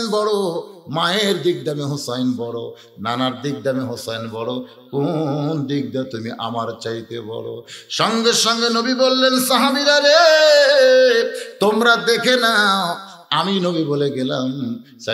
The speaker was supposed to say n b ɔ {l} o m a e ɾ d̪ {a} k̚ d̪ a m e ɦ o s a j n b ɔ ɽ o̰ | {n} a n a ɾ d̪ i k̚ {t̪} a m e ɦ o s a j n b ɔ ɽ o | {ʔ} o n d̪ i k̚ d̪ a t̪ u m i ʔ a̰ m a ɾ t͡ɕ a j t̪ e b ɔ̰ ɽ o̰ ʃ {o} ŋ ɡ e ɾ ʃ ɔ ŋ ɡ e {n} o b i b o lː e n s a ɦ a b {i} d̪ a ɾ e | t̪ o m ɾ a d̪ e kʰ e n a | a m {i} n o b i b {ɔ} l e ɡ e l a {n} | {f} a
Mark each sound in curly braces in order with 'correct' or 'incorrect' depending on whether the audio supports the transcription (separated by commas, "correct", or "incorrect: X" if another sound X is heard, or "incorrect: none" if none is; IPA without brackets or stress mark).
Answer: incorrect: ɽ, incorrect: i, correct, incorrect: d̪, incorrect: k, incorrect: ɔ, correct, correct, correct, incorrect: o, incorrect: m, incorrect: s